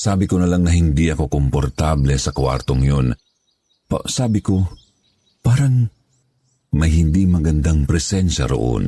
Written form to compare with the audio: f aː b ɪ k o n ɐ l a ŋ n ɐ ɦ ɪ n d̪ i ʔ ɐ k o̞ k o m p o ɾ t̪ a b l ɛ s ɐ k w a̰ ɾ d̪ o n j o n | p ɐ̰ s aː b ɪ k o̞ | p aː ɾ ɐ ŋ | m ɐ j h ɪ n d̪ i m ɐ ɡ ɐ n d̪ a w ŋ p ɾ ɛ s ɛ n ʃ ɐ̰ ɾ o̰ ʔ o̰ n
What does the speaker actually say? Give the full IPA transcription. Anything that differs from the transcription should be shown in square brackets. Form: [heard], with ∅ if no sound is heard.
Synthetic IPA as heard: [s] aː b ɪ k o n ɐ l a ŋ n ɐ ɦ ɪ n d̪ i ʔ ɐ k o̞ k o m p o ɾ t̪ a b l ɛ s ɐ k w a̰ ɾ [t̪] o [ŋ] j o n | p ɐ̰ s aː b ɪ k o̞ | p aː ɾ ɐ ŋ | m ɐ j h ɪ n d̪ i m ɐ ɡ ɐ n d̪ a [∅] ŋ p ɾ ɛ s ɛ n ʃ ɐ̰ ɾ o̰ ʔ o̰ n